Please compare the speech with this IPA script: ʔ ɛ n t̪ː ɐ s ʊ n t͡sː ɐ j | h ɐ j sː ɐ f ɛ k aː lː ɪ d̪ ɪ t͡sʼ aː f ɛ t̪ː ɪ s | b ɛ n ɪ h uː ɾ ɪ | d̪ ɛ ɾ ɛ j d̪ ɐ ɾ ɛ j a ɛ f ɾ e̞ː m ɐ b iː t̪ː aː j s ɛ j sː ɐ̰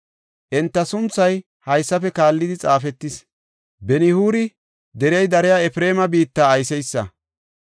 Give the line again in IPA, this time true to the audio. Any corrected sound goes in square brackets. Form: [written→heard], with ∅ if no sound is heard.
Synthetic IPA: ʔ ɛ n t̪ː ɐ s ʊ n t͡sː ɐ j | h ɐ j sː ɐ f ɛ k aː lː ɪ d̪ ɪ t͡sʼ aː f ɛ t̪ː ɪ s | b ɛ n ɪ h uː ɾ ɪ | d̪ ɛ ɾ ɛ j d̪ ɐ ɾ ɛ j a ɛ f ɾ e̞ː m ɐ b iː t̪ː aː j s ɛ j sː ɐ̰

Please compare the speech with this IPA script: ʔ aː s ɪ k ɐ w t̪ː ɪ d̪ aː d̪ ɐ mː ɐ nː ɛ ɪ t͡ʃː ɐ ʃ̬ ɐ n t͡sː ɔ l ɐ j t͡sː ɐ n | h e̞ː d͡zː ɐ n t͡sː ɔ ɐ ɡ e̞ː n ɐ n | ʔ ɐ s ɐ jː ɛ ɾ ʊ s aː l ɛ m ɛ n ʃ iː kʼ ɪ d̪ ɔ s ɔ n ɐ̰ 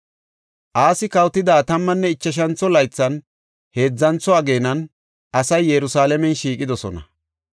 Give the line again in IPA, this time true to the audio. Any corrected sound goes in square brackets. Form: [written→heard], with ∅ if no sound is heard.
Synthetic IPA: ʔ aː s ɪ k ɐ w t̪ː ɪ d̪ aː [d̪→t̪] ɐ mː ɐ nː ɛ ɪ t͡ʃː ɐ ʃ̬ ɐ n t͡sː ɔ l ɐ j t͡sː ɐ n | h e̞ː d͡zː ɐ n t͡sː ɔ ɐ ɡ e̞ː n ɐ n | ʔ ɐ s ɐ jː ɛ ɾ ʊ s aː l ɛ m ɛ n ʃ iː kʼ ɪ d̪ ɔ s ɔ n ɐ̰

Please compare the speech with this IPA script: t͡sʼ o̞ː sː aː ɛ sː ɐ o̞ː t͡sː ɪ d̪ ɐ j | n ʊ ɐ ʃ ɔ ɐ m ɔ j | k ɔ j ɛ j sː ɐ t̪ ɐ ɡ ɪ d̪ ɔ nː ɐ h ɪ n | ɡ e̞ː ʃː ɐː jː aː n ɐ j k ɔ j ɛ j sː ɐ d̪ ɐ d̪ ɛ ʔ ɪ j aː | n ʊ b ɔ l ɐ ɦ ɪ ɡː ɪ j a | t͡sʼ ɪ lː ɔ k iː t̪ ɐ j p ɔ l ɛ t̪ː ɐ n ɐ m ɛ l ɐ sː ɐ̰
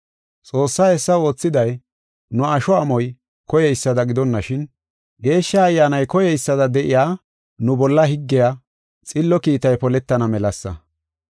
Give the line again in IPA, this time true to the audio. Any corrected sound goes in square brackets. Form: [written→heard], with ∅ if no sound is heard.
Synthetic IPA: t͡sʼ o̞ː sː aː ɛ sː ɐ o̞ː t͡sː ɪ d̪ ɐ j | n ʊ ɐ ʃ ɔ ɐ m ɔ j | k ɔ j ɛ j sː ɐ [t̪→d̪] ɐ ɡ ɪ d̪ ɔ nː ɐ [h→ʃ] ɪ n | ɡ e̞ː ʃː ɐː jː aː n ɐ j k ɔ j ɛ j sː ɐ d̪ ɐ d̪ ɛ ʔ ɪ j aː | n ʊ b ɔ [l→lː] ɐ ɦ ɪ ɡː ɪ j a | t͡sʼ ɪ lː ɔ k iː t̪ ɐ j p ɔ l ɛ t̪ː ɐ n ɐ m ɛ l ɐ sː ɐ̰

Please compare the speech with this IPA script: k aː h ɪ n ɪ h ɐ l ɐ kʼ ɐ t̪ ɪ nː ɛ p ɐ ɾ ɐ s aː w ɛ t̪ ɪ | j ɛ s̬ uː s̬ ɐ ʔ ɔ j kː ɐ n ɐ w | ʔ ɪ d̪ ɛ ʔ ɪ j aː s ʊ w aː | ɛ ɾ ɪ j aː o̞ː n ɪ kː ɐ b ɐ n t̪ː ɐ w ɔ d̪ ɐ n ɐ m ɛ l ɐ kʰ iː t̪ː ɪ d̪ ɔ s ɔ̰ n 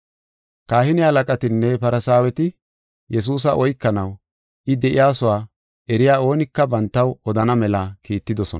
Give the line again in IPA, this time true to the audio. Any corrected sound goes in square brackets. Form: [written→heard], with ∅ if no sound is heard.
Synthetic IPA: k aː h ɪ n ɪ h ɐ l ɐ kʼ ɐ t̪ ɪ nː ɛ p ɐ ɾ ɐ s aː w ɛ t̪ ɪ | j ɛ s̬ uː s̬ ɐ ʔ ɔ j kː ɐ n ɐ w | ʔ ɪ d̪ ɛ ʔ ɪ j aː s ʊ w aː | ɛ ɾ ɪ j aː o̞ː n ɪ kː ɐ b ɐ n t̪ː ɐ w ɔ d̪ ɐ n ɐ m ɛ l ɐ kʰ iː t̪ː ɪ d̪ ɔ s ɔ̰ n

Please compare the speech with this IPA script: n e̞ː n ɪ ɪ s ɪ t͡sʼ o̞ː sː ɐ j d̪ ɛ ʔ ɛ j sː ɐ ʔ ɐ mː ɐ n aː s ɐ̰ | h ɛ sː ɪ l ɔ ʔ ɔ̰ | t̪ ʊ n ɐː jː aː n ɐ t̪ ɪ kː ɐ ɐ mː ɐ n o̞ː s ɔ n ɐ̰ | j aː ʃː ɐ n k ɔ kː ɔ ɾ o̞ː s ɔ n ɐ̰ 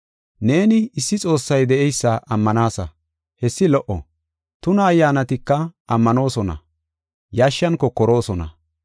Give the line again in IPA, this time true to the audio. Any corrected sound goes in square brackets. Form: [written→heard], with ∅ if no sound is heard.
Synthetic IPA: n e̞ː n ɪ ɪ [s→sː] ɪ t͡sʼ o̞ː sː ɐ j d̪ ɛ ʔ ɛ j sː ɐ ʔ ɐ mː ɐ n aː s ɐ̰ | h ɛ sː ɪ l ɔ ʔ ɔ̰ | t̪ ʊ n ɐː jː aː n ɐ t̪ ɪ kː ɐ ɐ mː ɐ n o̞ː s ɔ n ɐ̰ | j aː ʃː ɐ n k ɔ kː ɔ ɾ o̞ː s ɔ n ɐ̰

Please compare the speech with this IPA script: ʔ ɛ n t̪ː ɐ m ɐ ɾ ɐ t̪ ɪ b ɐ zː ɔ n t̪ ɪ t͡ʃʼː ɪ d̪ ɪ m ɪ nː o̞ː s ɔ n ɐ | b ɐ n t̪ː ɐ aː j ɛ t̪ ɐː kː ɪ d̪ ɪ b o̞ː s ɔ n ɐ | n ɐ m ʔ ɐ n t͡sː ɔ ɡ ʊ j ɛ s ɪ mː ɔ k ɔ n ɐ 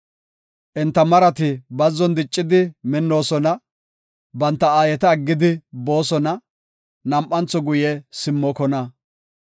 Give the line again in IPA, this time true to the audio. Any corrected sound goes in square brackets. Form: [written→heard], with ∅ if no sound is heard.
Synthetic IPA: ʔ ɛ n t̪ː ɐ m ɐ ɾ ɐ t̪ ɪ b ɐ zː ɔ n [t̪→d̪] ɪ t͡ʃʼː ɪ d̪ ɪ m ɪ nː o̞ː s ɔ n ɐ | b ɐ n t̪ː ɐ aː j ɛ t̪ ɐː [kː→ɡː] ɪ d̪ ɪ b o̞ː s ɔ n ɐ | n ɐ m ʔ ɐ n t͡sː ɔ ɡ ʊ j ɛ s ɪ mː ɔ k ɔ n ɐ

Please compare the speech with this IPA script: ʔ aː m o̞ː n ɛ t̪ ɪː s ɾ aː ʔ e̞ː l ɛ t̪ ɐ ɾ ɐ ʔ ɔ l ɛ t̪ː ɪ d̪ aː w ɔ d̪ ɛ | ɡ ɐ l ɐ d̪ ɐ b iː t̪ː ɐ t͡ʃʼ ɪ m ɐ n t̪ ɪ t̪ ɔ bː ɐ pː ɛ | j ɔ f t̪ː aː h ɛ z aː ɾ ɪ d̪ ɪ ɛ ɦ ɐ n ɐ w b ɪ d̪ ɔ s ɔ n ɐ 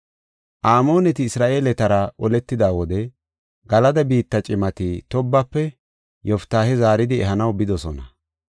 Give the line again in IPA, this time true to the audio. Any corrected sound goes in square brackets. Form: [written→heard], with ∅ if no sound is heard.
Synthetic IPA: ʔ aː m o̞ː n ɛ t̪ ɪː s ɾ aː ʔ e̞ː l ɛ t̪ ɐ ɾ ɐ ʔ ɔ l ɛ t̪ː ɪ d̪ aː w ɔ d̪ ɛ | ɡ ɐ l ɐ d̪ ɐ b iː t̪ː ɐ t͡ʃʼ ɪ m ɐ [n→∅] t̪ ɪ t̪ ɔ bː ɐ pː ɛ | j ɔ f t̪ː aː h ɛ z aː ɾ ɪ d̪ ɪ ɛ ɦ ɐ n ɐ w b ɪ d̪ ɔ s ɔ n ɐ

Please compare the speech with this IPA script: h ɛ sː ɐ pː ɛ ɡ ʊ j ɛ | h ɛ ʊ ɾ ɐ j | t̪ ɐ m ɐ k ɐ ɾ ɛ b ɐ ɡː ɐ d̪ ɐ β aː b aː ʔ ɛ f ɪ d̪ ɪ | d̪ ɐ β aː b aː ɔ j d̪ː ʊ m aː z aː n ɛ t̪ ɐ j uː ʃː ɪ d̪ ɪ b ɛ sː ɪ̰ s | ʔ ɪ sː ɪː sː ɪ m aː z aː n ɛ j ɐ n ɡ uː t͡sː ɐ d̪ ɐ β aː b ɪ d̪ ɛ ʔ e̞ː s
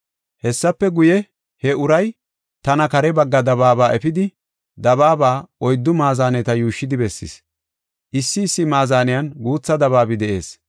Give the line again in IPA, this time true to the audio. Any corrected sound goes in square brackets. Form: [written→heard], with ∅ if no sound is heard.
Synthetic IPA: h ɛ sː ɐ pː ɛ ɡ ʊ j ɛ | h ɛ ʊ ɾ ɐ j | t̪ ɐ [m→n] ɐ k ɐ ɾ ɛ b ɐ ɡː ɐ d̪ ɐ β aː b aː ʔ ɛ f ɪ d̪ ɪ | d̪ ɐ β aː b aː ɔ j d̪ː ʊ m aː z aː n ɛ t̪ ɐ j uː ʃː ɪ d̪ ɪ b ɛ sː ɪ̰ s | ʔ ɪ sː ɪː sː ɪ m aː z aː n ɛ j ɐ n ɡ uː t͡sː ɐ d̪ ɐ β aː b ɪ d̪ ɛ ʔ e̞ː s

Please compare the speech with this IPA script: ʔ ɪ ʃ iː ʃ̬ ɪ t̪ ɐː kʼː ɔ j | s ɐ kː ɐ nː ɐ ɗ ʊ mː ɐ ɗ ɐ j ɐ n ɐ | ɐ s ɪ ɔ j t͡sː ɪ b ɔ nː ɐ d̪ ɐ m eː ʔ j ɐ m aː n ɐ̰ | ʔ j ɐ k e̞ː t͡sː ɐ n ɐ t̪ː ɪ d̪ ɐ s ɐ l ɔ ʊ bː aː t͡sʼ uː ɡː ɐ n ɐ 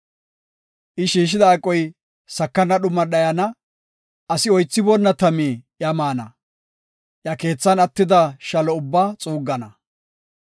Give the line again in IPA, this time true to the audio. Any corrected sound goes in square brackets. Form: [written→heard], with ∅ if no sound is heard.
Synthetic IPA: ʔ ɪ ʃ iː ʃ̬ ɪ [t̪→d̪] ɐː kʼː ɔ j | s ɐ kː ɐ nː ɐ ɗ ʊ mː ɐ ɗ ɐ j ɐ n ɐ | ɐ s ɪ ɔ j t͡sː ɪ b ɔ nː ɐ [d̪→t̪] ɐ m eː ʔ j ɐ m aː n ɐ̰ | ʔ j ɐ k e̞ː t͡sː ɐ n ɐ t̪ː ɪ d̪ ɐ [s→ʃ] ɐ l ɔ ʊ bː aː t͡sʼ uː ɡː ɐ n ɐ

